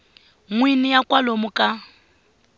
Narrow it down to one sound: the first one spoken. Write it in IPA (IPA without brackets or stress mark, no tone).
ŋ